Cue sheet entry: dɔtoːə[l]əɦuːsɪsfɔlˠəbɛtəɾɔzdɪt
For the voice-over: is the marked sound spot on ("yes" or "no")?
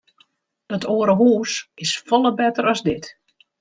no